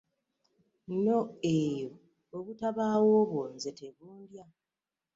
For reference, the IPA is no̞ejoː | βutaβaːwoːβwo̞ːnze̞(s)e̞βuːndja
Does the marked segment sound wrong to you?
yes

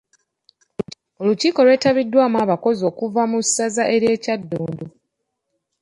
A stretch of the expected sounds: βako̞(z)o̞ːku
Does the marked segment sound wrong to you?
no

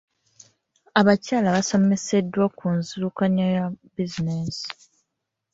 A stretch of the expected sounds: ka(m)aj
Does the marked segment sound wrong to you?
yes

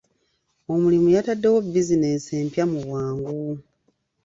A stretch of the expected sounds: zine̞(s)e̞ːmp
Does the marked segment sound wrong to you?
no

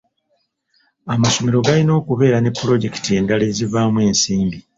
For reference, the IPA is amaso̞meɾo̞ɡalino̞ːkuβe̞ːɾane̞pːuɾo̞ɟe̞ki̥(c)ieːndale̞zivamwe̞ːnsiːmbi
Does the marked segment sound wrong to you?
yes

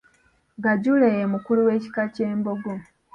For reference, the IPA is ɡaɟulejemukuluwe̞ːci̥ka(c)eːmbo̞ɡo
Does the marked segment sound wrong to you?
no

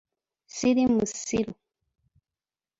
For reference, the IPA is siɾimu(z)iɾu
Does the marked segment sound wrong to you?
yes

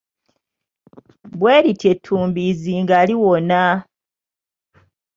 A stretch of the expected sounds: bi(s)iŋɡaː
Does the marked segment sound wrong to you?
yes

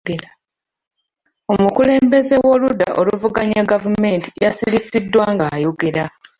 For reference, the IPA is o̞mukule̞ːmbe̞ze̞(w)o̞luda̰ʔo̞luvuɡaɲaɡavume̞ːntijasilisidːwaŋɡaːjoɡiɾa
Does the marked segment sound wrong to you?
no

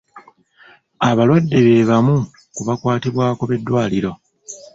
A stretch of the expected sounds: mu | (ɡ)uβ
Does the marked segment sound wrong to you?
yes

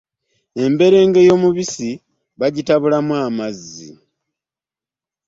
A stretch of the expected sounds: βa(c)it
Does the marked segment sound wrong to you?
yes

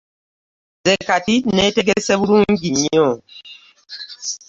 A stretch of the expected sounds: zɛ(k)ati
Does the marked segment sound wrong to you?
no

